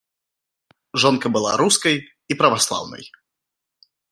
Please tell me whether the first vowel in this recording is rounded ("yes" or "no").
yes